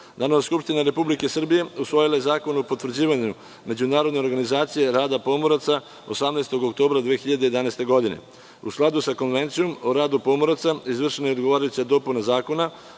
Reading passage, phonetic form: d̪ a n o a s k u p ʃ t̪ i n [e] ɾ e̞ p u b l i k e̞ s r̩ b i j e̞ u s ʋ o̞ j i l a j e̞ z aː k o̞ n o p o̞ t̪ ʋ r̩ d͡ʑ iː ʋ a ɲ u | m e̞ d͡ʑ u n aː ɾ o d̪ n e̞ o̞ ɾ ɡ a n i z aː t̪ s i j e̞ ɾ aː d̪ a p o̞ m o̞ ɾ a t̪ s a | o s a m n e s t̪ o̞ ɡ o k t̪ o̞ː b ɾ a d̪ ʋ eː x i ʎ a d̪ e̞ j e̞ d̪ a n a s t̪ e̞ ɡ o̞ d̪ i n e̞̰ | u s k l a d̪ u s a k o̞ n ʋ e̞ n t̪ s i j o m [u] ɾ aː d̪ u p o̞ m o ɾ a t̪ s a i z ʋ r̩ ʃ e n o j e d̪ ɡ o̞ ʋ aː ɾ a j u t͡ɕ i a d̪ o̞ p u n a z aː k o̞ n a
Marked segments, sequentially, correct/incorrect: incorrect: a, incorrect: o

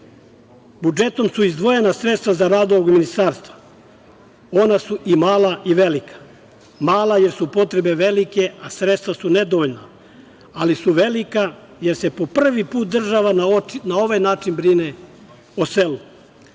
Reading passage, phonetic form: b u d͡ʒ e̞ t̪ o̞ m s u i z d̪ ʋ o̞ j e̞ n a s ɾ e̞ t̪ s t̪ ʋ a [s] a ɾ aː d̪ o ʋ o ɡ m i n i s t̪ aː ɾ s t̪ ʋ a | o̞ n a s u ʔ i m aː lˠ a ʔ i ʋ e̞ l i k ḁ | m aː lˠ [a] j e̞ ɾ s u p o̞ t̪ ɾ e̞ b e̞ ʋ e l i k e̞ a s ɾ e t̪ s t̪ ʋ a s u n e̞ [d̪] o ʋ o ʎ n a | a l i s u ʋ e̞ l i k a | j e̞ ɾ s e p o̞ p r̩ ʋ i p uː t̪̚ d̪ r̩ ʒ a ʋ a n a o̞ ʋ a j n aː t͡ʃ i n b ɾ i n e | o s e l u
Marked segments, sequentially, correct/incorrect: incorrect: z, correct, correct

